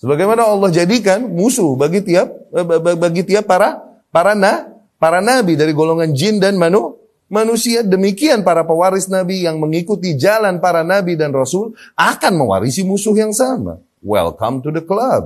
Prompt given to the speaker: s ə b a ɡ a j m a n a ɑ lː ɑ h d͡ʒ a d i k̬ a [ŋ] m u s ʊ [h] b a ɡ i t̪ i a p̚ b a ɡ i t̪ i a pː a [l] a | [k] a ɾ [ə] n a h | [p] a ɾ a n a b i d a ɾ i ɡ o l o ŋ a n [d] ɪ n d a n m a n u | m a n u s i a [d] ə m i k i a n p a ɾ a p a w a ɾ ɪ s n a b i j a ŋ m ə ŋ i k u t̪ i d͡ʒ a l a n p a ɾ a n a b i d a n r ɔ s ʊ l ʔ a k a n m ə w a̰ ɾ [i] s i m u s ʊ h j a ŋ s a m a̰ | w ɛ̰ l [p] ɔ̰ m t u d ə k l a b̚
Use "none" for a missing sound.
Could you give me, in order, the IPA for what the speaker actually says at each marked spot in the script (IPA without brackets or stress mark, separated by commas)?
n, h, ɾ, p, a, p, d͡ʒ, d, i, k